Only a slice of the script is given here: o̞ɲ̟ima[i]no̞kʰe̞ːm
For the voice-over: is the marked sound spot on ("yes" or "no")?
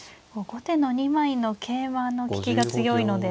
yes